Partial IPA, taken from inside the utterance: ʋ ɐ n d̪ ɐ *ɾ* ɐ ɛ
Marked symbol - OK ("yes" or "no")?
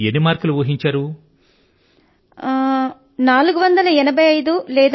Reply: no